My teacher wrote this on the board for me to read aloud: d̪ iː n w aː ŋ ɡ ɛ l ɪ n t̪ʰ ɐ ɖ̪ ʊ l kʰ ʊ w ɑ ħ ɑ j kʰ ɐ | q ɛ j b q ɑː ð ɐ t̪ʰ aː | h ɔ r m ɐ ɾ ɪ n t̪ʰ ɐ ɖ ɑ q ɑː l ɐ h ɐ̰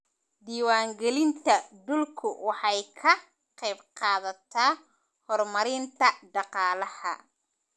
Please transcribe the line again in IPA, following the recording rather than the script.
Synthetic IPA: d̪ iː w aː ŋ ɡ ɛ l ɪ n t̪ʰ ɐ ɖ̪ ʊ l kʰ ʊ w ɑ ħ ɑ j kʰ ɐ | q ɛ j b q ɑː ð ɐ t̪ʰ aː | h ɔ r m ɐ ɾ ɪ n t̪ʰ ɐ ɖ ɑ q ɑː l ɐ h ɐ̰